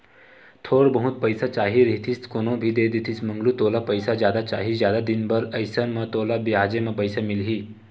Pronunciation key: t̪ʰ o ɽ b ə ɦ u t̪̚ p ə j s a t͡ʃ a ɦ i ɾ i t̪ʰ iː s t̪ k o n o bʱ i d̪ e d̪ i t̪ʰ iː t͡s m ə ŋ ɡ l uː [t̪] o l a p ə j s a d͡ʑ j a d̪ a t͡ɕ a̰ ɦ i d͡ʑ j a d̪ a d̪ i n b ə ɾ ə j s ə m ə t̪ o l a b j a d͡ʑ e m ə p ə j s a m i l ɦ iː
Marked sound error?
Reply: no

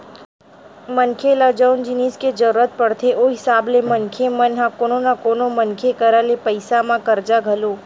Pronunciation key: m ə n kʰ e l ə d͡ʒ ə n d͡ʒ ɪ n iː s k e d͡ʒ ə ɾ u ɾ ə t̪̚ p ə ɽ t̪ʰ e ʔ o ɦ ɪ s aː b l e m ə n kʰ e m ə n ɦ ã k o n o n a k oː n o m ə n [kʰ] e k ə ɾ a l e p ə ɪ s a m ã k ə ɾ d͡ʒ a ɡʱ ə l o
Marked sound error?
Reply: no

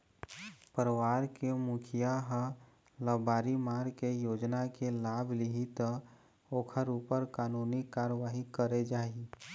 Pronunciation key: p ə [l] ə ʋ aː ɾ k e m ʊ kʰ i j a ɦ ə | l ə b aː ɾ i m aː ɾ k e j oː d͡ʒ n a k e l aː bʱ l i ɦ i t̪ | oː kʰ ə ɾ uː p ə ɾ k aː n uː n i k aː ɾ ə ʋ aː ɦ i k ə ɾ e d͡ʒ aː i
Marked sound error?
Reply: yes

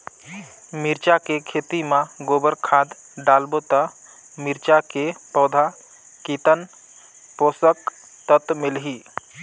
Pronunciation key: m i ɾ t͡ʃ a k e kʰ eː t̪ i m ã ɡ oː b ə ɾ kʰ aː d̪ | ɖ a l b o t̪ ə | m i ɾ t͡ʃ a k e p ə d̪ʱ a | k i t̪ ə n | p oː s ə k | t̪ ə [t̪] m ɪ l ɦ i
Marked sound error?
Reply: no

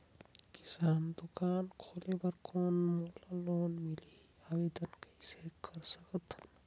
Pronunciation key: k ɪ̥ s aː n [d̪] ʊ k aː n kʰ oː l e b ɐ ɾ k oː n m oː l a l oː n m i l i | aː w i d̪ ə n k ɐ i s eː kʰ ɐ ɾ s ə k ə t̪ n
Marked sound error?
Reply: no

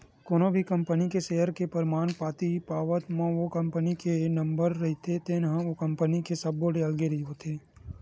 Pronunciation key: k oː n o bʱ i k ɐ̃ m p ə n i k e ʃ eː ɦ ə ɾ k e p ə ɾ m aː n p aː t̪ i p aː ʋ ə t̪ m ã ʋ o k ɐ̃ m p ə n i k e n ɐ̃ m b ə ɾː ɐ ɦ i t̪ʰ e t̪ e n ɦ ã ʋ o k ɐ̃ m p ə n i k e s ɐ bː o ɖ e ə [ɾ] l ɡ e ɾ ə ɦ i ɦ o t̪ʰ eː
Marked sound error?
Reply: yes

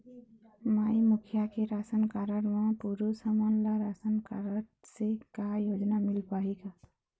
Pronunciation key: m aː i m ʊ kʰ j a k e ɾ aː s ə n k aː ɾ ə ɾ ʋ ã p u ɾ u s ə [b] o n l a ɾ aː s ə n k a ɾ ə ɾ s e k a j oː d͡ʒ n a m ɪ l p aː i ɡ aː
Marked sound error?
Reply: yes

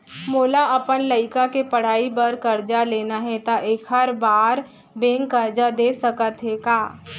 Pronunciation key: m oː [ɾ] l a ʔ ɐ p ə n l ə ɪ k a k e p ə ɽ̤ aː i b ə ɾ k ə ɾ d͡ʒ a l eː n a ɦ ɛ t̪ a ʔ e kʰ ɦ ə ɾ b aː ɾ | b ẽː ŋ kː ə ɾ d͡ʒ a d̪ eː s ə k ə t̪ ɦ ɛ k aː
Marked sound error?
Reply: yes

